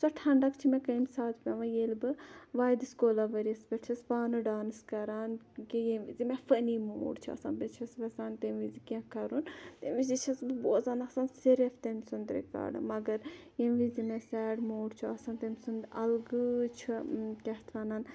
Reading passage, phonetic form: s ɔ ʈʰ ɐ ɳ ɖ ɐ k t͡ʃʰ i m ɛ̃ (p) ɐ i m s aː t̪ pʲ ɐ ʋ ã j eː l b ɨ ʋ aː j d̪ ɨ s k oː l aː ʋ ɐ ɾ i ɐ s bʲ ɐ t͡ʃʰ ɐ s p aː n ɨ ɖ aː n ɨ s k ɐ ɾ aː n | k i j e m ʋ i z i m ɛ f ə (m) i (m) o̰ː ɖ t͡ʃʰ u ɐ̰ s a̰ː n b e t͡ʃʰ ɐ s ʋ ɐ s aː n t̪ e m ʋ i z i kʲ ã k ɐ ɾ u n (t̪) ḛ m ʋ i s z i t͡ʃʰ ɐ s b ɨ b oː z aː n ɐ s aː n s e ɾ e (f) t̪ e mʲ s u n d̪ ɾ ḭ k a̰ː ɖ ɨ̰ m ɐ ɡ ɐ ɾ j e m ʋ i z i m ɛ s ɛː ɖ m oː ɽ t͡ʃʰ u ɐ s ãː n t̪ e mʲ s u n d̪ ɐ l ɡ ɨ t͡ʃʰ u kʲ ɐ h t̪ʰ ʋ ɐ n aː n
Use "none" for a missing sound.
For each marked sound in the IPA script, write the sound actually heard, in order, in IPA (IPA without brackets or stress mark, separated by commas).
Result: k, n, m, t̪, f